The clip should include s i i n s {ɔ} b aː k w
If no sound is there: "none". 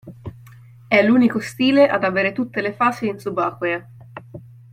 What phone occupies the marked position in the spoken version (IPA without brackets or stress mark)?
u